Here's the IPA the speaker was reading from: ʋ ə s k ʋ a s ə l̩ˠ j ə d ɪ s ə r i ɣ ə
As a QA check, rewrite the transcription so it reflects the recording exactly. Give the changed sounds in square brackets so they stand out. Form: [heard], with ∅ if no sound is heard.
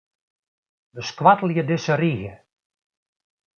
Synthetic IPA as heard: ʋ ə s k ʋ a [t] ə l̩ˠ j ə d ɪ s ə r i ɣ ə